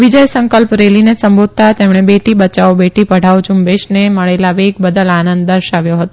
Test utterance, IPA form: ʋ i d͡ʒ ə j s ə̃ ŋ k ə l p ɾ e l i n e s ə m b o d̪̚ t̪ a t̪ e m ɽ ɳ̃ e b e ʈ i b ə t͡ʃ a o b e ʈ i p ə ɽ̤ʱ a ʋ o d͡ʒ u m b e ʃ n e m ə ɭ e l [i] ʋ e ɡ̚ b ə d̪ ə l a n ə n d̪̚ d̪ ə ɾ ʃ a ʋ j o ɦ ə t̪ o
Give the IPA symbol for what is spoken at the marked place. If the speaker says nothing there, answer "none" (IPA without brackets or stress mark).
a